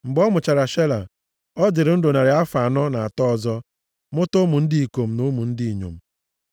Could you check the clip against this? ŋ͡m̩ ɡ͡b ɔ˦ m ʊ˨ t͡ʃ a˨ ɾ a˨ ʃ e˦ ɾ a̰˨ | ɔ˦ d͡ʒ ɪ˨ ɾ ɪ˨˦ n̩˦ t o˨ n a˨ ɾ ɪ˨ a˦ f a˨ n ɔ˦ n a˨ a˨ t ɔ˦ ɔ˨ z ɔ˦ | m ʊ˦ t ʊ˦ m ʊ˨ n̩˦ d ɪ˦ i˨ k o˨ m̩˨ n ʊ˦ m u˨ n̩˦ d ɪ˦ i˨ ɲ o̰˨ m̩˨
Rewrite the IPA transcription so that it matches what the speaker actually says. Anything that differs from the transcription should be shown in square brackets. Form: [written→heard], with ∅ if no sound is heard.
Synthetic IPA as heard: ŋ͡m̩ ɡ͡b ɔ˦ m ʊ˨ t͡ʃ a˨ ɾ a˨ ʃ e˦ [ɾ→l] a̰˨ | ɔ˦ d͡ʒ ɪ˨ ɾ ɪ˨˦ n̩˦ [t→d] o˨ n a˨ ɾ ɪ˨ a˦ f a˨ n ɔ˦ n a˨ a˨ t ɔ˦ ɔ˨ z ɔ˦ | m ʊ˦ t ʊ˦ m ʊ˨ n̩˦ d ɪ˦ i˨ k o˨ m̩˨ n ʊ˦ m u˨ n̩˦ d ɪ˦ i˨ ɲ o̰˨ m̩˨